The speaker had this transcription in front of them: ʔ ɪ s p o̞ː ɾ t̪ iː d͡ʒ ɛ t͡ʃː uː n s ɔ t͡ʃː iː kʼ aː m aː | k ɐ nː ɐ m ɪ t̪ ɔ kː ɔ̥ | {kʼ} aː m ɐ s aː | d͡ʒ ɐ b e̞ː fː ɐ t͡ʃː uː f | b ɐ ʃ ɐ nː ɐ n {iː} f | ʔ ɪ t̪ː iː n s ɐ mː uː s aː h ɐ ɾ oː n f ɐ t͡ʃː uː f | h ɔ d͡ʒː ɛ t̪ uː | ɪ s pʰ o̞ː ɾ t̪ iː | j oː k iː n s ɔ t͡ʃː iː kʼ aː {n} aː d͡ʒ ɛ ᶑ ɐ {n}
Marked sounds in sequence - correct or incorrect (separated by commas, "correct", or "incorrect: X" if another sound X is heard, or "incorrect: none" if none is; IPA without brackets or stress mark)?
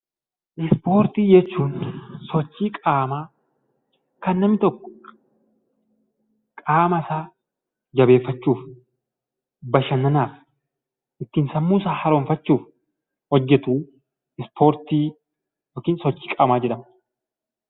correct, incorrect: aː, incorrect: m, incorrect: m